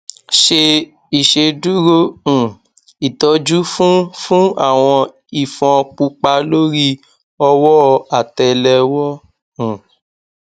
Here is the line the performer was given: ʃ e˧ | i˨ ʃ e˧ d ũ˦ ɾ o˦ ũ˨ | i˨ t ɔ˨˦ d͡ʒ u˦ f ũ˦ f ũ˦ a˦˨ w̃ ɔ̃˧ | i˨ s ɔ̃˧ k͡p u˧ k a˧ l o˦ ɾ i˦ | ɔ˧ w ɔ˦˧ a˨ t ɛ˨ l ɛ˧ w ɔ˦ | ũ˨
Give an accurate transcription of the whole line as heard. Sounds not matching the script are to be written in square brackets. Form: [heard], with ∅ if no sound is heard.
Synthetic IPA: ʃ e˧ | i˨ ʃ e˧ d [u˦] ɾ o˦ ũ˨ | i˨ t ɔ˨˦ d͡ʒ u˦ f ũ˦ f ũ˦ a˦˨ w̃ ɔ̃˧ | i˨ [f] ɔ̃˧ k͡p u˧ [k͡p] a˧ l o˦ ɾ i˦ | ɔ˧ w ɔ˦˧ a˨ t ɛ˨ l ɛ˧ w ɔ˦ | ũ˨